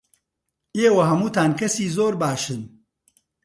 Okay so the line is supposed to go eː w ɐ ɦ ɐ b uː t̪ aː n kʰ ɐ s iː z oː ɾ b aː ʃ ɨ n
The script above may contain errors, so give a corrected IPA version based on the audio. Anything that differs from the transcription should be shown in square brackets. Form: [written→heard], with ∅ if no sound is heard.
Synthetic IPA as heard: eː w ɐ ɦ ɐ [b→m] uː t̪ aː n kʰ ɐ s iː z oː ɾ b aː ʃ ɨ n